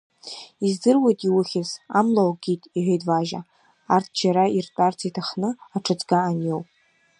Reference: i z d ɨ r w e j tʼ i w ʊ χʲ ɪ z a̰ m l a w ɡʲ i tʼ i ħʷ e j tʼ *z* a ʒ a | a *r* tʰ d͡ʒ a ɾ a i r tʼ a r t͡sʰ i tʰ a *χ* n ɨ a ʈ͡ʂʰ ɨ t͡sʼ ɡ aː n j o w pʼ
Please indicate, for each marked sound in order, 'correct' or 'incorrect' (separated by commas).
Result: incorrect, correct, correct